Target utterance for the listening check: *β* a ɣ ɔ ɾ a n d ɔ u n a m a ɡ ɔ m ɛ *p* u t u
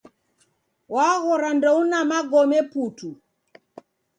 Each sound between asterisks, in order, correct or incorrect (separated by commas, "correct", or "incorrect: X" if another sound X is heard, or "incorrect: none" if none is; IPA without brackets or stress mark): incorrect: w, correct